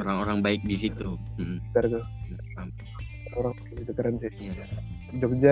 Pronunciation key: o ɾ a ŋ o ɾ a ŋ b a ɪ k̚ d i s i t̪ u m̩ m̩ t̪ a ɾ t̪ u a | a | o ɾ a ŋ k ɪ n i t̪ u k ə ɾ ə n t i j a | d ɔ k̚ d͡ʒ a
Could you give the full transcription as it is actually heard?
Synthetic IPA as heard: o ɾ a ŋ o ɾ a ŋ b a ɪ k̚ d i s i t̪ u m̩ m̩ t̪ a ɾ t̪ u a | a | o ɾ a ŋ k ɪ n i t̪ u k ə ɾ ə n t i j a | d͡ʒ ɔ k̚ d͡ʒ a